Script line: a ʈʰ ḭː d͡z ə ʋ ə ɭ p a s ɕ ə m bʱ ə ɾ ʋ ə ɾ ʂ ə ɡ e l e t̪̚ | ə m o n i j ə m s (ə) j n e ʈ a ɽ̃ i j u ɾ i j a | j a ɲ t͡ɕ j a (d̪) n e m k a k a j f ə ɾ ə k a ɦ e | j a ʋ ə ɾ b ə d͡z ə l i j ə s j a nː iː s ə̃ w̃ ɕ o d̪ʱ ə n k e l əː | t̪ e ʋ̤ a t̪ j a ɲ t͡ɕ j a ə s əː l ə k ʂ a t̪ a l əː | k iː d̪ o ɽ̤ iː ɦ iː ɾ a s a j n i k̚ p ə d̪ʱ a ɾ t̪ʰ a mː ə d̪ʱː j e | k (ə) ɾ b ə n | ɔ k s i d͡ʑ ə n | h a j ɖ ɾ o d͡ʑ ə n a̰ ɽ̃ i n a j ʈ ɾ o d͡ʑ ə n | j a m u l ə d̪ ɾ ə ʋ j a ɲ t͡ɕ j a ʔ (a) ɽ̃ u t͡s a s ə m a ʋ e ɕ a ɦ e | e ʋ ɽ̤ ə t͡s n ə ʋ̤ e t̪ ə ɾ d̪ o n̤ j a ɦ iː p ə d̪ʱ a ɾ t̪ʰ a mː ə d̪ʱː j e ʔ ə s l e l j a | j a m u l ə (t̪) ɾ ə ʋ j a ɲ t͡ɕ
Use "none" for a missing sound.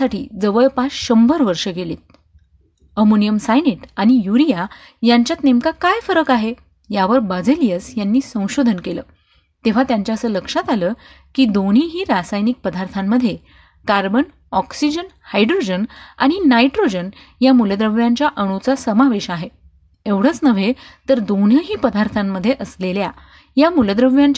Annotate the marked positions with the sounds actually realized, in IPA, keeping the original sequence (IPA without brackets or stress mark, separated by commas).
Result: a, t̪, a, ə, d̪